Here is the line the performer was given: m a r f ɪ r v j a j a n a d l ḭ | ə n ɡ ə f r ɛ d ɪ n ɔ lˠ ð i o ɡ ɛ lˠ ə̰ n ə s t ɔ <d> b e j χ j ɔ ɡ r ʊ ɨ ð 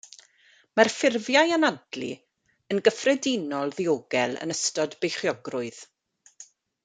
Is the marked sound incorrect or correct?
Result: correct